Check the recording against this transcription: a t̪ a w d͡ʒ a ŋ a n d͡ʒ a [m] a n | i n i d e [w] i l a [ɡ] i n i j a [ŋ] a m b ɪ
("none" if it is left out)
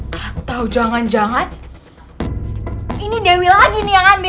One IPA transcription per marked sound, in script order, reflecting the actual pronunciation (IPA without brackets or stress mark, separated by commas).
ŋ, w, ɡ, ŋ